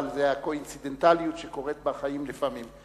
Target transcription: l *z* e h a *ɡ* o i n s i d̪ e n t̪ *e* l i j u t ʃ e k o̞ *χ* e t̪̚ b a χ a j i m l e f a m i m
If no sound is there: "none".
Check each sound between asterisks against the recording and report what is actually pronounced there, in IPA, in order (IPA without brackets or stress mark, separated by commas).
z, k, a, ʁ